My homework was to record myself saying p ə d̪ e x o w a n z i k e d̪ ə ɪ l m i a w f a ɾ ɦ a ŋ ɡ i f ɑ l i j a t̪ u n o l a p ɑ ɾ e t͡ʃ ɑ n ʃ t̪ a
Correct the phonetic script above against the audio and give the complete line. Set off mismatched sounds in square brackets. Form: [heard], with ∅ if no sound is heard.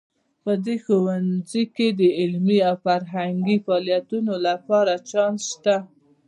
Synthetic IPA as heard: p ə d̪ e x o w a n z i k e d̪ ə ɪ l m i a w f a ɾ ɦ a ŋ ɡ i f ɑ l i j a t̪ u n o l a p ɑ ɾ [a] t͡ʃ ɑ n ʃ t̪ a